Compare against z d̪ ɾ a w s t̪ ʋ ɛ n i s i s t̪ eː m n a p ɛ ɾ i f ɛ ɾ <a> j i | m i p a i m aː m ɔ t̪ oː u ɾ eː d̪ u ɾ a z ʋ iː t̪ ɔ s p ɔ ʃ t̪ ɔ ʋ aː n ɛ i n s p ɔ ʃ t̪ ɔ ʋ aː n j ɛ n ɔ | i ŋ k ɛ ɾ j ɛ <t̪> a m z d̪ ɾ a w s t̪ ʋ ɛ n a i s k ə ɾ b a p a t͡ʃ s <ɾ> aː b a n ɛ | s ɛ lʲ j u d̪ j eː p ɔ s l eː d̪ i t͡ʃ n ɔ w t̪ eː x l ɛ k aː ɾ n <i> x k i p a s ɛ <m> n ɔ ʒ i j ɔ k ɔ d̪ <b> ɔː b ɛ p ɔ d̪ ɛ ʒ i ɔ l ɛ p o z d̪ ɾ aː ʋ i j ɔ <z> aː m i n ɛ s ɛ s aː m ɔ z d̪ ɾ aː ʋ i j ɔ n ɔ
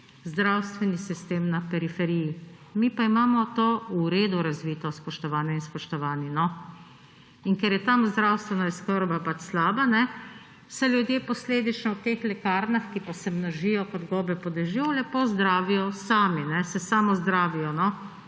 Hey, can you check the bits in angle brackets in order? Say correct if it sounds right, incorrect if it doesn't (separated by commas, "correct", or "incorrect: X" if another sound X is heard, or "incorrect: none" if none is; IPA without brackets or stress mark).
incorrect: i, correct, incorrect: l, incorrect: a, correct, incorrect: ɡ, incorrect: s